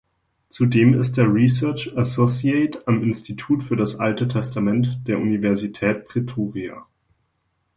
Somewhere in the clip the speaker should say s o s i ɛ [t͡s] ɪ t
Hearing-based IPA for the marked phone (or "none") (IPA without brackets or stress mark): none